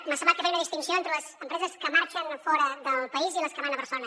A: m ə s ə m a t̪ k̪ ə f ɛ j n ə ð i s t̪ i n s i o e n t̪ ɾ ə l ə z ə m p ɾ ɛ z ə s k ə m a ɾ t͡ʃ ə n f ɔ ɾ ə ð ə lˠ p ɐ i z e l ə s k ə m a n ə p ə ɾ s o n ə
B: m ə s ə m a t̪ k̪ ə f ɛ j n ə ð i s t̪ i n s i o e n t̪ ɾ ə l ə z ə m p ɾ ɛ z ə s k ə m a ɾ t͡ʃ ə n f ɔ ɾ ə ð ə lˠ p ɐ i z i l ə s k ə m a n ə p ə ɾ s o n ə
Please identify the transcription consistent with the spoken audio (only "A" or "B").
B